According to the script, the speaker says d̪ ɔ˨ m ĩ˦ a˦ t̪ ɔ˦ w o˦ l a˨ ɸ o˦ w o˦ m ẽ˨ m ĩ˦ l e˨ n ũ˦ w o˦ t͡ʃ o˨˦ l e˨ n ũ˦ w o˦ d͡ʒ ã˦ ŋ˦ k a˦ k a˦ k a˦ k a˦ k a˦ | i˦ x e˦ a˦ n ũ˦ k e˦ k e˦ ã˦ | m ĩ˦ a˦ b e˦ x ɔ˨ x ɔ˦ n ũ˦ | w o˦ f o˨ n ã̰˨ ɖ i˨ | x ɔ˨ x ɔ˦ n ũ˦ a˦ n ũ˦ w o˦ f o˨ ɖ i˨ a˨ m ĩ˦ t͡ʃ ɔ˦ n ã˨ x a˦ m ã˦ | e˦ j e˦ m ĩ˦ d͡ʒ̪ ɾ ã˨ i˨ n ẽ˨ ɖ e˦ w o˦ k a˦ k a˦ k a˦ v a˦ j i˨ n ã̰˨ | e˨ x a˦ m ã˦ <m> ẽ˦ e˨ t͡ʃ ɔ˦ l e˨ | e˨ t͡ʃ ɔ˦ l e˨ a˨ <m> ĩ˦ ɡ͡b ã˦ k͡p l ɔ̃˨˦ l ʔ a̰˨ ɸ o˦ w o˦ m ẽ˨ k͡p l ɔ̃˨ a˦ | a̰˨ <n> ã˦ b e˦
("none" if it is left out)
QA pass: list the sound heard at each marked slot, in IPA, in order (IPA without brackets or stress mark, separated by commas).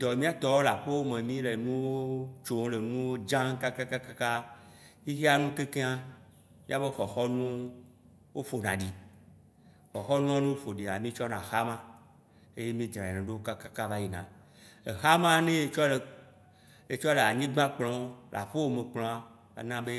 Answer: n, ɲ, n